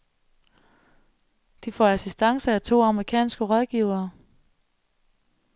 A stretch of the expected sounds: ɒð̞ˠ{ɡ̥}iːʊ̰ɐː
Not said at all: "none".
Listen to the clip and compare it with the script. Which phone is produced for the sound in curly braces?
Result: ɡ̥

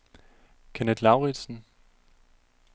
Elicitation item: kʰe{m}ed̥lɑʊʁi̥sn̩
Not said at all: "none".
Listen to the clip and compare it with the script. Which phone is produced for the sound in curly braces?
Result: n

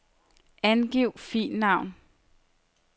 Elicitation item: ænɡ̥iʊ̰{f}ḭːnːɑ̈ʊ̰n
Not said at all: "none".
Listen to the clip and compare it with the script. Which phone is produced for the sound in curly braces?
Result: f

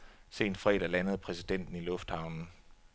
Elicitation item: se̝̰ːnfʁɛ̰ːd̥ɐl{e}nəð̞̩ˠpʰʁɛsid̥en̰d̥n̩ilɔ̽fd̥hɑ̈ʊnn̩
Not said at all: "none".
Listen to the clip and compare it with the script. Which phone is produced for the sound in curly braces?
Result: æ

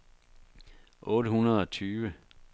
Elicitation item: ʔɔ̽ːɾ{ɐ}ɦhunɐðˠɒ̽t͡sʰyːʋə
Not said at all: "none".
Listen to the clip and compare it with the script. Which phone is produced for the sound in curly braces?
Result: ə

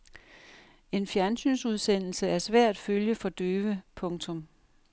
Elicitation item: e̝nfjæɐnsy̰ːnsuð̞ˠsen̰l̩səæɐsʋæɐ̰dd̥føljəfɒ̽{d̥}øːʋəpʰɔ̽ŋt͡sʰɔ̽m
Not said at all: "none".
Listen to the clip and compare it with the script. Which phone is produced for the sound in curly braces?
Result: d̥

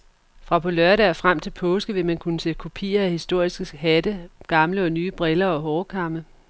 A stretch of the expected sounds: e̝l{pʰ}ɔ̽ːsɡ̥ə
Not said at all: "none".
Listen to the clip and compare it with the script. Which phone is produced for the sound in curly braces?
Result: pʰ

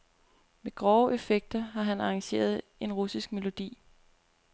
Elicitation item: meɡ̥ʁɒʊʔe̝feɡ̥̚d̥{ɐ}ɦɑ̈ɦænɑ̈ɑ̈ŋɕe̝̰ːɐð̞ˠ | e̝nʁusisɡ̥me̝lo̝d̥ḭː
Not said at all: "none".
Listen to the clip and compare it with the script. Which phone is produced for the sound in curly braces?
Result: ɐ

